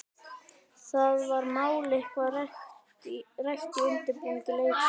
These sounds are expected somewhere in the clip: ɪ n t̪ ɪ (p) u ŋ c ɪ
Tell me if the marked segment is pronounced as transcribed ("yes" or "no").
yes